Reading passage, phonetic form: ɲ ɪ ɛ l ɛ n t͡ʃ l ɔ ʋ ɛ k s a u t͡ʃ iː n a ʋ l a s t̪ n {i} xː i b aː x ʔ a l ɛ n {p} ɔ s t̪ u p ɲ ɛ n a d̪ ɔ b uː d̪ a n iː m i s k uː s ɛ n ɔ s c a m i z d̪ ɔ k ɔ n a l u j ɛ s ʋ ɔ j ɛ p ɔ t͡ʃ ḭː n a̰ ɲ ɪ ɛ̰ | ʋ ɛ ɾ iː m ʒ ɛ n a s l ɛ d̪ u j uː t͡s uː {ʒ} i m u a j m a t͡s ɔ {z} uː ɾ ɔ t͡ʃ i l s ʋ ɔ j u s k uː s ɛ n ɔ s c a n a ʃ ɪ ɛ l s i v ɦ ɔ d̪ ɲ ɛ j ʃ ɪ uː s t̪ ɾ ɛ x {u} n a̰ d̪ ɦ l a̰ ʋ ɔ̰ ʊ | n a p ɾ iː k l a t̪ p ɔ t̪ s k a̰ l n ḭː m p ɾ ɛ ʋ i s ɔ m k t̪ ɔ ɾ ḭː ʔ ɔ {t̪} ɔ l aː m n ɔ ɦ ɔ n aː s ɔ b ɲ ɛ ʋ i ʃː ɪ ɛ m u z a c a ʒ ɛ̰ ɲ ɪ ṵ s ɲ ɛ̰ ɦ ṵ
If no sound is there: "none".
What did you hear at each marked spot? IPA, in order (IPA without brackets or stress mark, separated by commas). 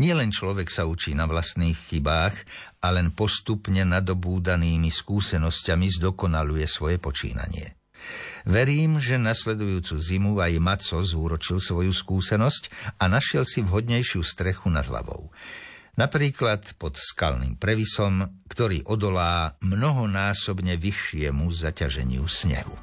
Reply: iː, p, z, z, u, d̪